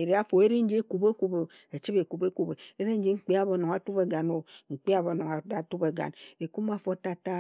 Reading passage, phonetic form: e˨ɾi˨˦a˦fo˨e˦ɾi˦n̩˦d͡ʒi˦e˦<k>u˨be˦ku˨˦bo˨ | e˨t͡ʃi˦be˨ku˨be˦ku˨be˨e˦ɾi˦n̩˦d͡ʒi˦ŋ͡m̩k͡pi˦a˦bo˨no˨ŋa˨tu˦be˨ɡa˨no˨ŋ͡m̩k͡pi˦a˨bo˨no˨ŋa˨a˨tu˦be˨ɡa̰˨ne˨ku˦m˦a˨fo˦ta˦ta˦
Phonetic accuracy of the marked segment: correct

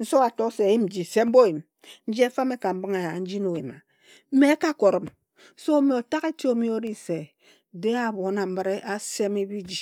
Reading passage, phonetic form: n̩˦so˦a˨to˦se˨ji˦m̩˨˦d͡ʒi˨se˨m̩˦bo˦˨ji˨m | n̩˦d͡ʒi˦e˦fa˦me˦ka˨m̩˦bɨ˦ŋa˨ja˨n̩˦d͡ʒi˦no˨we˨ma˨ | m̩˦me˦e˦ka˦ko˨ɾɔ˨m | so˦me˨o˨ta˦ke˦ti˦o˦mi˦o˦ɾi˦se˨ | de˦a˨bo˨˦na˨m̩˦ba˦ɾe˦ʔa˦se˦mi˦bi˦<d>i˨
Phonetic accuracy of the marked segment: incorrect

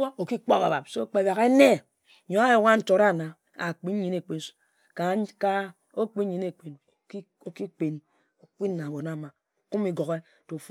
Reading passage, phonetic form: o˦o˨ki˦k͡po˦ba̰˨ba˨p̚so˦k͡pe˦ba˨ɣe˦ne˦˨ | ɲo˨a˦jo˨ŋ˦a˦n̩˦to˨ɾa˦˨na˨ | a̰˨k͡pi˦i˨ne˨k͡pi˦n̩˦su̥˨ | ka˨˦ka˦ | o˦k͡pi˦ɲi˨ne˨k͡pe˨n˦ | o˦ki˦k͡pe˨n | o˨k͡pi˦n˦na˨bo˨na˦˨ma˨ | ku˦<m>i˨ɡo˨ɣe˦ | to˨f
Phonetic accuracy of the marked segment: correct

